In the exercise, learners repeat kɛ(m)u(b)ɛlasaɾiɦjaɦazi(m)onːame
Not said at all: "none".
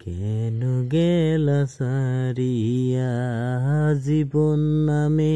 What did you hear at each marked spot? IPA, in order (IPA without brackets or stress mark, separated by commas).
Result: n, ɡ, b